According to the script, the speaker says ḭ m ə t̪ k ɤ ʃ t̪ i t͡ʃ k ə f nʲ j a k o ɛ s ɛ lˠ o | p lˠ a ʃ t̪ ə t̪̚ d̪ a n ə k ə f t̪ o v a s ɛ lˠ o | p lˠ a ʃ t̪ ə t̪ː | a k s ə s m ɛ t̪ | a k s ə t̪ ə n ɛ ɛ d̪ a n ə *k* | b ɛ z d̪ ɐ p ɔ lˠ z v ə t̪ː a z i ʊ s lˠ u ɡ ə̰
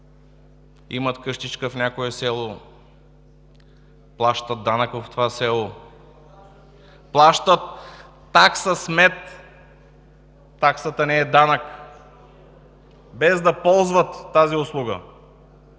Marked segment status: correct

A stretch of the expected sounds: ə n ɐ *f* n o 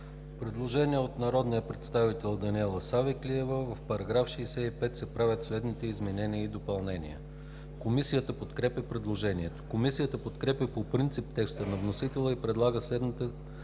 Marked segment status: incorrect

